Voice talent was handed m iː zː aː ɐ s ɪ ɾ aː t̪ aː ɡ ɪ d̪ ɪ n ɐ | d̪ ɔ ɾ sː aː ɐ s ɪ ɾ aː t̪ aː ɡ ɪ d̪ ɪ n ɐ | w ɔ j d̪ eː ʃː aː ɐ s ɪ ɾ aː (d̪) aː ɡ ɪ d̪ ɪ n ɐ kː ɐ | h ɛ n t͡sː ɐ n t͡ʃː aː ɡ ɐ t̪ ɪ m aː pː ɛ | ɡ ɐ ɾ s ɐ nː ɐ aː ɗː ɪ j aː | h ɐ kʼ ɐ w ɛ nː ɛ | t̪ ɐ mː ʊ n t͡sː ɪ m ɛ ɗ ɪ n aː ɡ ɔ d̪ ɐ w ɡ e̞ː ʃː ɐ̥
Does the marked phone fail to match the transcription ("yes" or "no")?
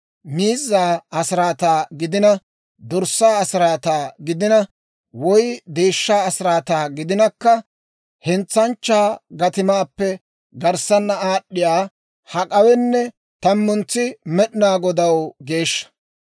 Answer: yes